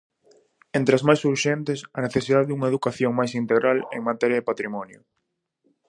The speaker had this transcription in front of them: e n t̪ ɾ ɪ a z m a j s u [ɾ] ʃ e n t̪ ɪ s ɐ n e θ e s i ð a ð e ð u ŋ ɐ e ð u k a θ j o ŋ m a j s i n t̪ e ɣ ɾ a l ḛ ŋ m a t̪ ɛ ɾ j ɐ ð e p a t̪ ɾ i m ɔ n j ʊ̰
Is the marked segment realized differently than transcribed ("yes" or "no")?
no